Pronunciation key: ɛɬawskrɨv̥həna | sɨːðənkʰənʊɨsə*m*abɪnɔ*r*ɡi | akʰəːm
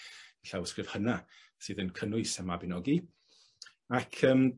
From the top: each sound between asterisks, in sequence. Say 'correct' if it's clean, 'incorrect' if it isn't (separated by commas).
correct, incorrect